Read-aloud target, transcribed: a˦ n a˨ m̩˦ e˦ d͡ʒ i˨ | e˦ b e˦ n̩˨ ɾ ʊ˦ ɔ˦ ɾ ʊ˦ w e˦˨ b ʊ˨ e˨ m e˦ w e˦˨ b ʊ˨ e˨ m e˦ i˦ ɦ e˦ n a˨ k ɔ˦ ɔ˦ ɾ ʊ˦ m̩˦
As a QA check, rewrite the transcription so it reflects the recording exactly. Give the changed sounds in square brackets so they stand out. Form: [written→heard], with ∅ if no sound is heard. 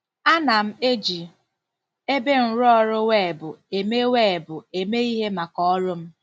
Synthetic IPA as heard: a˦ n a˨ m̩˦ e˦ d͡ʒ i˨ | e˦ b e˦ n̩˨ ɾ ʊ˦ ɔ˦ ɾ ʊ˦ w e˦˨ b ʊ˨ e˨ m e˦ w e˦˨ b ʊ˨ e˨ m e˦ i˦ ɦ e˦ [n→m] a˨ k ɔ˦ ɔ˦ ɾ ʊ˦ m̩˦